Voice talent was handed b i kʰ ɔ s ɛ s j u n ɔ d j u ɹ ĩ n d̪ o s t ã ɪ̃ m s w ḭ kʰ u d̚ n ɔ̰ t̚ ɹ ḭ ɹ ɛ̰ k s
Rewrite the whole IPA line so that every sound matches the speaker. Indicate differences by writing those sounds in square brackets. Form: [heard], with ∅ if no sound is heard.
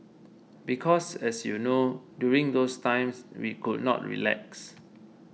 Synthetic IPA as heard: b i kʰ ɔ s ɛ s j u n [o] d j u ɹ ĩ [ŋ] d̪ o s t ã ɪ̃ m s w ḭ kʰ u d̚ n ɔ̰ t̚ ɹ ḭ [l] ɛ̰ k s